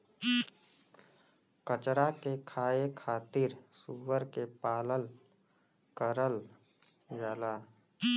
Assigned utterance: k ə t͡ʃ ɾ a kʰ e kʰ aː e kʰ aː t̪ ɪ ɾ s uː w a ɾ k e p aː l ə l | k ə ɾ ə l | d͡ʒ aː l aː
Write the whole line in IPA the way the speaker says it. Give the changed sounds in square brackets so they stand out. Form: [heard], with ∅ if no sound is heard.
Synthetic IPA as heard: k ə t͡ʃ ɾ a [k] e kʰ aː e kʰ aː t̪ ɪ ɾ s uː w [ə] ɾ k e p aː l ə l | k ə ɾ ə l | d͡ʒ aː l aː